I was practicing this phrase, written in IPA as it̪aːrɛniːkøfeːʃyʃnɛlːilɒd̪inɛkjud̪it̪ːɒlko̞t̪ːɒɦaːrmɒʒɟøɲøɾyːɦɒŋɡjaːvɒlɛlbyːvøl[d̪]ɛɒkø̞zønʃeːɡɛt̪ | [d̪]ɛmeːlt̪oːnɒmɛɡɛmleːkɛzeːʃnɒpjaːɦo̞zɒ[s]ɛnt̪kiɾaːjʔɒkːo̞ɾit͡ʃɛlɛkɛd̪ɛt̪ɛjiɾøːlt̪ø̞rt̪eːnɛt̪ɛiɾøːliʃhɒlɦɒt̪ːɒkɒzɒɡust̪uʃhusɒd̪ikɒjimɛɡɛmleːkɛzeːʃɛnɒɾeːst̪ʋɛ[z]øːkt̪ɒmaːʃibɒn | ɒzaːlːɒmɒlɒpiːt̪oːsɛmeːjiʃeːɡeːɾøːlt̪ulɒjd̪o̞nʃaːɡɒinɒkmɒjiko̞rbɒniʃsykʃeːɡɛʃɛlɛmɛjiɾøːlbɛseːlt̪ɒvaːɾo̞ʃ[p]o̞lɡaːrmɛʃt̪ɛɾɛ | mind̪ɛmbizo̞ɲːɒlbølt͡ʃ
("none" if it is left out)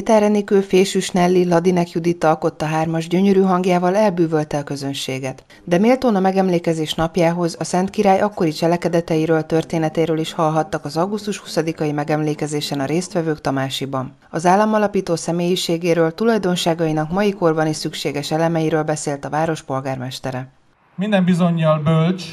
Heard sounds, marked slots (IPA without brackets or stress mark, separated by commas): t̪, d̪, s, v, p